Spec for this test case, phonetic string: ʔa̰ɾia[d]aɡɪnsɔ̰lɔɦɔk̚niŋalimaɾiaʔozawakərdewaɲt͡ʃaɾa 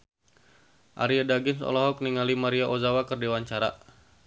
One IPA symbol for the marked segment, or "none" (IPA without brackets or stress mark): d